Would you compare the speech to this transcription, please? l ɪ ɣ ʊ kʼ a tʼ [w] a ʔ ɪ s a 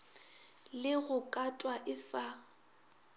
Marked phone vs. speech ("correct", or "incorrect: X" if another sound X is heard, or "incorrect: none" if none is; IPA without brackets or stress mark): correct